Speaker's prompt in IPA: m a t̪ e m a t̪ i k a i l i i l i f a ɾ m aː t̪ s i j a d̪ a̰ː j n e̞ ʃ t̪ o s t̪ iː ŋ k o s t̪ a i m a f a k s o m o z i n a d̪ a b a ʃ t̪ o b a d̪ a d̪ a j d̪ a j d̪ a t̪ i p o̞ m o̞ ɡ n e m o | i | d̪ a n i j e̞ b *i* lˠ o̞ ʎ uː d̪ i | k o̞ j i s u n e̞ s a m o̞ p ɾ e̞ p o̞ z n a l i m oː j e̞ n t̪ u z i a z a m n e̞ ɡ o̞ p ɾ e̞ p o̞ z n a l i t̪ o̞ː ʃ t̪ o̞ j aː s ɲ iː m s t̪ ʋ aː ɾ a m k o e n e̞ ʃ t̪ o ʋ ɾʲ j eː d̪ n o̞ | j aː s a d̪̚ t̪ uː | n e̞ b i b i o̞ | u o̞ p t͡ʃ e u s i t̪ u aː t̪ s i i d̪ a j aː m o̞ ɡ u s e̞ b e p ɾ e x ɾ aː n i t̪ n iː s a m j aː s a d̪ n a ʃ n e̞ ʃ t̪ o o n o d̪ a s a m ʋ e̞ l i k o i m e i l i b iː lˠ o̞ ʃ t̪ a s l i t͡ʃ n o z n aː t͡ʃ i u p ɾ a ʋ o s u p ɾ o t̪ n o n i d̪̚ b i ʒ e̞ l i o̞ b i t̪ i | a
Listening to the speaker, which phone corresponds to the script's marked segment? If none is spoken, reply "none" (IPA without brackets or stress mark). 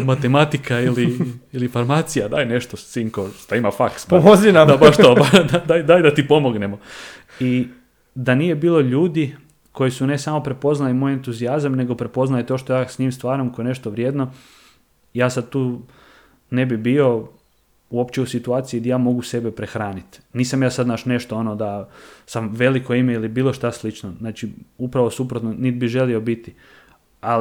iː